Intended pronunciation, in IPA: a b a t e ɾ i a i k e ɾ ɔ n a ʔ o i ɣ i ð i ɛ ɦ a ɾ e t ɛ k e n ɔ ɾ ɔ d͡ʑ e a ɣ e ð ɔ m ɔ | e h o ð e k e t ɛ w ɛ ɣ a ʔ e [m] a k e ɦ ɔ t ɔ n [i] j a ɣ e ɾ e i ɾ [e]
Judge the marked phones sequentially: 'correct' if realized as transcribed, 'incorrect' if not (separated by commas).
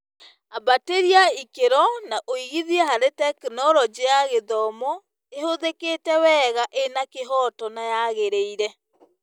incorrect, incorrect, incorrect